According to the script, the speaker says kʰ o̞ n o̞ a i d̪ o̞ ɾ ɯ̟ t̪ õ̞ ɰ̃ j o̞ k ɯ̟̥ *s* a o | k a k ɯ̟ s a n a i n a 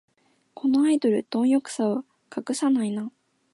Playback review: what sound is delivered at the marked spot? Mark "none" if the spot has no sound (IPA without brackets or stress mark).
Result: s